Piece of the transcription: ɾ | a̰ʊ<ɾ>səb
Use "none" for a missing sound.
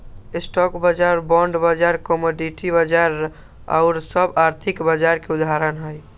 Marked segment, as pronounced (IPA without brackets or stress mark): ɾ